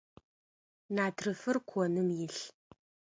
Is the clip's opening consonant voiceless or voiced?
voiced